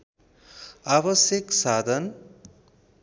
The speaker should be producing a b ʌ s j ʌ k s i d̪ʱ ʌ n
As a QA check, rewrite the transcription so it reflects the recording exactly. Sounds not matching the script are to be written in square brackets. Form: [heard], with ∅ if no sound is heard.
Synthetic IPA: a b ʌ s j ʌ k s [a] d̪ʱ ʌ n